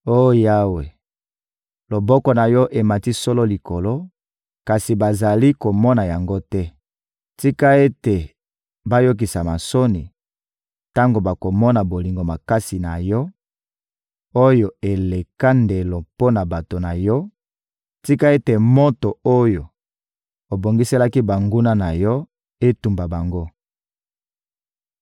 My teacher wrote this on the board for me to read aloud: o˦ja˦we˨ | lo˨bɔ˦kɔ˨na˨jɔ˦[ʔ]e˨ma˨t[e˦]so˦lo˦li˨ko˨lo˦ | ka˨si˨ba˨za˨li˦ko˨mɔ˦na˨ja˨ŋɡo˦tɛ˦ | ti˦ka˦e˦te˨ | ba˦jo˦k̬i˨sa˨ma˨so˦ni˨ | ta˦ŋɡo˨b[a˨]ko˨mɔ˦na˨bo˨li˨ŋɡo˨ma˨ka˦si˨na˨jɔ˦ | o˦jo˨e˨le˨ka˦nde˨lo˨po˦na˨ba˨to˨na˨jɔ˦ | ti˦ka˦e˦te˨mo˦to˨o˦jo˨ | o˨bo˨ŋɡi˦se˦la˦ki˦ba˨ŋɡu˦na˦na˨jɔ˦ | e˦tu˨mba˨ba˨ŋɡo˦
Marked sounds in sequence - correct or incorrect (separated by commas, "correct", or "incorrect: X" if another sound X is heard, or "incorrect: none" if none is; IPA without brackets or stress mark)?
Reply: correct, incorrect: i˦, correct